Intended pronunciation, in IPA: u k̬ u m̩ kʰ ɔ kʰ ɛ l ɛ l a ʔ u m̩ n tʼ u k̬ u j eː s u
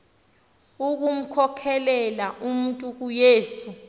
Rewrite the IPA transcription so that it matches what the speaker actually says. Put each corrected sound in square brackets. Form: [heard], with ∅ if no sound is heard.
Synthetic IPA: u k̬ u m̩ kʰ ɔ kʰ ɛ l ɛ l a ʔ u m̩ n tʼ u k̬ u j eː s u